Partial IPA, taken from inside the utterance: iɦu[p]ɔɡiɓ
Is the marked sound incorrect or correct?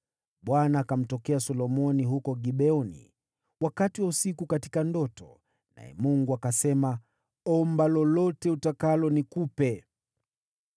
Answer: incorrect